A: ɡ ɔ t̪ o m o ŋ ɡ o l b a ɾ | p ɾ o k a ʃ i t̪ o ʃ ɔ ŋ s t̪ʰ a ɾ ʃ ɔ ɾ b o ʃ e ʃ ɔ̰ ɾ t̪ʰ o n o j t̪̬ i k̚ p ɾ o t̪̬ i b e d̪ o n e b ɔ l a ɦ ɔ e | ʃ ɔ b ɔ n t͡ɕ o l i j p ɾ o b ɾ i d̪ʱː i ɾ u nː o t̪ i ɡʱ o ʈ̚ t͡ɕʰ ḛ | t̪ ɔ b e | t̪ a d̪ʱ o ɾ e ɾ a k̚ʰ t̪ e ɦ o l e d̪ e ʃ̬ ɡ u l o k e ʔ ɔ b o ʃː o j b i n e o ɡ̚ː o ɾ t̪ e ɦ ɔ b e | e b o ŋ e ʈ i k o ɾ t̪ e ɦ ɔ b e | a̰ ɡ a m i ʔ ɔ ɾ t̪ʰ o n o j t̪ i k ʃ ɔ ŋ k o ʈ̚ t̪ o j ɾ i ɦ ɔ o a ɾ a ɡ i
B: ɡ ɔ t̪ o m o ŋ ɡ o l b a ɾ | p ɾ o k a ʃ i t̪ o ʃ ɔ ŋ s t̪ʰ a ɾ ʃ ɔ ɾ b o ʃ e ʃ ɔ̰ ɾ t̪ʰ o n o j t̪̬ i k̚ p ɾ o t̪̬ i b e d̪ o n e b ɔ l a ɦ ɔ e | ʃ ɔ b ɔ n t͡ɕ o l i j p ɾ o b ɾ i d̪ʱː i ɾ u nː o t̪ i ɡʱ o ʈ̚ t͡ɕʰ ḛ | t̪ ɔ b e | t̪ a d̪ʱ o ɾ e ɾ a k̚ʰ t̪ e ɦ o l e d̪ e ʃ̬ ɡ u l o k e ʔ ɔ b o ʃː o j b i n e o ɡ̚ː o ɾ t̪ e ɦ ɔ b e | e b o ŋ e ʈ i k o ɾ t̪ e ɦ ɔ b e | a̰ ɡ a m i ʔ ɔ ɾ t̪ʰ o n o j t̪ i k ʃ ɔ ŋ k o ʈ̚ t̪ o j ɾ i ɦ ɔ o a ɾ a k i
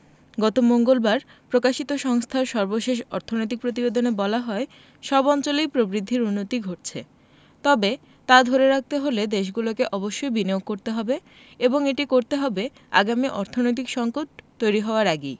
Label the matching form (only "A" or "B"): A